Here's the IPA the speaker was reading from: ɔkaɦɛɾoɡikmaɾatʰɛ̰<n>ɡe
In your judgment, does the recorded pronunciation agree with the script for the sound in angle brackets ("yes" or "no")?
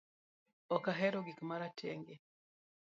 no